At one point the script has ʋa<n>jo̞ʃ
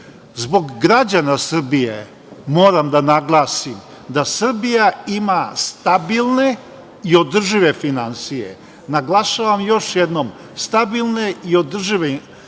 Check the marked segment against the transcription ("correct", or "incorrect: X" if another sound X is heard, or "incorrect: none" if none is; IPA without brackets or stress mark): incorrect: m